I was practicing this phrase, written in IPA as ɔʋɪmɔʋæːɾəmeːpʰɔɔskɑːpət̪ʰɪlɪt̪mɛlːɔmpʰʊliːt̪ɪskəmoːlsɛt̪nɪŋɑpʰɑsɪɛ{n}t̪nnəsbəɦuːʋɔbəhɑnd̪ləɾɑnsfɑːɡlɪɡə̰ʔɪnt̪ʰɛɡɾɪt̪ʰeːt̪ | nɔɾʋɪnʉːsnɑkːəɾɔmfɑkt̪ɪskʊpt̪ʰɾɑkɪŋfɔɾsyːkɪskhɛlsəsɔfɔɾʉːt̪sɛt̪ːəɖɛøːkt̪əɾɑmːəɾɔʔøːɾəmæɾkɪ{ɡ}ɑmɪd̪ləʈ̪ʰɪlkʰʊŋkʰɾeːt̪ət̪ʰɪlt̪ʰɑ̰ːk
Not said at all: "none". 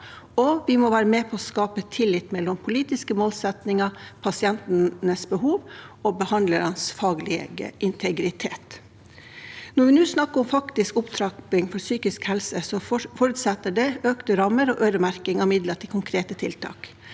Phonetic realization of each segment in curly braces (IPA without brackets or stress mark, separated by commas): n, ŋ